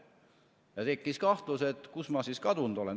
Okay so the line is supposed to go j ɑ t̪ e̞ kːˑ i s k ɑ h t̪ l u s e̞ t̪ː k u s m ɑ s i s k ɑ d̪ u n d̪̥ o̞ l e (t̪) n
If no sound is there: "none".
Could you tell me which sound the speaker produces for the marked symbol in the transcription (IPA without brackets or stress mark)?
none